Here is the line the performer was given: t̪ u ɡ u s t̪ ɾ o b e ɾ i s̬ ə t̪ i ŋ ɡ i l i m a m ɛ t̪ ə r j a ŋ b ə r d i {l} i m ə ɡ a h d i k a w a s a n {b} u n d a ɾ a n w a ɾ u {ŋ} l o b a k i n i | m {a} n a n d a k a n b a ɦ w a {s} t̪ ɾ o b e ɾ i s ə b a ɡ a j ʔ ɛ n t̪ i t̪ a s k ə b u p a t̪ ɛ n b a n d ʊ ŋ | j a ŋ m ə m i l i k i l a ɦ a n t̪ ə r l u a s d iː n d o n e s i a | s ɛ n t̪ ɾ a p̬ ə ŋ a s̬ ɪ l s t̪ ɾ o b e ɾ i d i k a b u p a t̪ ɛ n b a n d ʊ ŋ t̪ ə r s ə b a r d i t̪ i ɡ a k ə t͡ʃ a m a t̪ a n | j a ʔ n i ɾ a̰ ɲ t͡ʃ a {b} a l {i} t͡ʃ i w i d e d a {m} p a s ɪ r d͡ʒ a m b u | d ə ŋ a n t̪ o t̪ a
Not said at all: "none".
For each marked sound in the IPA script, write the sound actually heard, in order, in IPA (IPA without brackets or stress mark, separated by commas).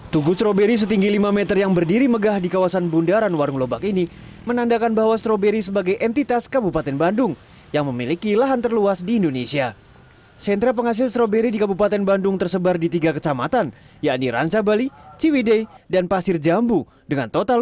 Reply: ɾ, b, ŋ, ə, s, b, i, n